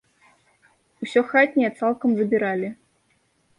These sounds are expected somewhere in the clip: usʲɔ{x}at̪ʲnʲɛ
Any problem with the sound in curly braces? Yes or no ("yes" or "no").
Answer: no